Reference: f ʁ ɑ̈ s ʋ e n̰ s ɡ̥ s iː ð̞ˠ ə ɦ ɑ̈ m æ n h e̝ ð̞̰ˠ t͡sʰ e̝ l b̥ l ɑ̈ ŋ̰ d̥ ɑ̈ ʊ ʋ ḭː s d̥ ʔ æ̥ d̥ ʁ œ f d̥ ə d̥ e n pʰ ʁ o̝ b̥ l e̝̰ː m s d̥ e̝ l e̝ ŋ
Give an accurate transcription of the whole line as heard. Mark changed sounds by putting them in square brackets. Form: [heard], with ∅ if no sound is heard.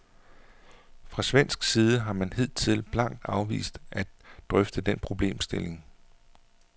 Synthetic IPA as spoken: f ʁ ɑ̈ s ʋ e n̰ s ɡ̥ s iː ð̞ˠ ə ɦ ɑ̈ m æ n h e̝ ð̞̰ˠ t͡sʰ e̝ l b̥ l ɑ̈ ŋ̰ d̥ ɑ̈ ʊ ʋ ḭː s d̥ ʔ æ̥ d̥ ʁ œ f d̥ ə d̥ e n pʰ ʁ o̝ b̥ l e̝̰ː m s d̥ e̝ l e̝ ŋ

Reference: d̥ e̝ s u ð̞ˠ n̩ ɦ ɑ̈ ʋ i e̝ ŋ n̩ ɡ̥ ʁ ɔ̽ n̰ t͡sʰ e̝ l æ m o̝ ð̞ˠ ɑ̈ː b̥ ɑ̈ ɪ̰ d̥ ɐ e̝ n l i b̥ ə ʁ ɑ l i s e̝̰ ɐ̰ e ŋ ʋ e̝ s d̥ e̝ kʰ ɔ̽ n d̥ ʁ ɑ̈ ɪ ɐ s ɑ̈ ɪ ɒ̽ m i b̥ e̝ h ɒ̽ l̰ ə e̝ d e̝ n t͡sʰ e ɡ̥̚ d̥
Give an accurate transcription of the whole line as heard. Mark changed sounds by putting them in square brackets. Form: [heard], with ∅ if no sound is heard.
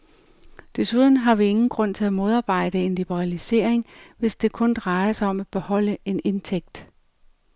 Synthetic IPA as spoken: d̥ e̝ s u ð̞ˠ n̩ ɦ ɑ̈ ʋ i e̝ ŋ n̩ ɡ̥ ʁ ɔ̽ n̰ t͡sʰ e̝ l æ m o̝ ð̞ˠ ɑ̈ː b̥ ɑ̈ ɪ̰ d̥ [ə] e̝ n l i b̥ ə ʁ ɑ l i s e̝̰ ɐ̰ e ŋ ʋ e̝ s d̥ e̝ kʰ ɔ̽ n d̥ ʁ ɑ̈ ɪ ɐ s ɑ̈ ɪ ɒ̽ m [æ] b̥ e̝ h ɒ̽ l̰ ə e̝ [n] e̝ n t͡sʰ e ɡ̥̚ d̥

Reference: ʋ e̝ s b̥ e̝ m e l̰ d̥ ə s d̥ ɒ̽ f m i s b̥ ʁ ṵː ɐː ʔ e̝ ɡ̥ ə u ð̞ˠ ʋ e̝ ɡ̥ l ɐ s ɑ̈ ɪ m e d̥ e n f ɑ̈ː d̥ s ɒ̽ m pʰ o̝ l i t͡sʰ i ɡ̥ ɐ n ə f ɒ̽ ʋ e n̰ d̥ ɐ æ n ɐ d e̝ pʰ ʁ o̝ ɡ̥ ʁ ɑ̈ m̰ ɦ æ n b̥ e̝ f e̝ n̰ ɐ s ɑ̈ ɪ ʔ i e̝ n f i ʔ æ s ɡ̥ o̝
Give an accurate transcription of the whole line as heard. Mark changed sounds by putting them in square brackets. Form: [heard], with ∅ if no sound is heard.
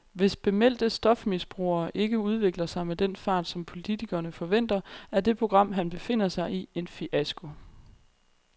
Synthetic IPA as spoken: ʋ e̝ s b̥ e̝ m e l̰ d̥ ə s d̥ ɒ̽ f m i s b̥ ʁ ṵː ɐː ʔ e̝ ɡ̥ ə u ð̞ˠ ʋ e̝ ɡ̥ l ɐ s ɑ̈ ɪ m e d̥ e n f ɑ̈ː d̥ s ɒ̽ m pʰ o̝ l i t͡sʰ i ɡ̥ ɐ n ə f ɒ̽ ʋ e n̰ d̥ ɐ æ [∅] ɐ d e̝ pʰ ʁ o̝ ɡ̥ ʁ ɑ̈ m̰ ɦ æ n b̥ e̝ f e̝ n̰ ɐ s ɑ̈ ɪ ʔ i e̝ n f i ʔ æ s ɡ̥ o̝

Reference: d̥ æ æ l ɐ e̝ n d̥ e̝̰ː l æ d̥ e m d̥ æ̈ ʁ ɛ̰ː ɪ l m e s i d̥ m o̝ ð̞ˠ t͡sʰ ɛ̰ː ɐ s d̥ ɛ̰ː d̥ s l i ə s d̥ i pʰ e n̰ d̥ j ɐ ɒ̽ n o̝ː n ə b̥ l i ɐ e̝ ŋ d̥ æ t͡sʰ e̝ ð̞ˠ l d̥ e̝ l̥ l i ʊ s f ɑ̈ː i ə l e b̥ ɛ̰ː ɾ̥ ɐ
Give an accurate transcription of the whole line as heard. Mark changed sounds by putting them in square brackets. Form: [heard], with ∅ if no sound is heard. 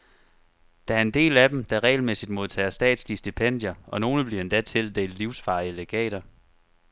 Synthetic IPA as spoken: d̥ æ æ [∅] ɐ e̝ n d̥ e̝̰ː l æ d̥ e m d̥ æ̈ ʁ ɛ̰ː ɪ l m e s i d̥ m o̝ ð̞ˠ t͡sʰ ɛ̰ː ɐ s d̥ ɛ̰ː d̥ s l i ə s d̥ i pʰ e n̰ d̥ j ɐ ɒ̽ n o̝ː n ə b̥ l i ɐ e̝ [n] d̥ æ t͡sʰ e̝ [∅] l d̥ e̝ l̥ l i ʊ s f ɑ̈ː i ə l e [ɡ̥] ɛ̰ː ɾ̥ ɐ

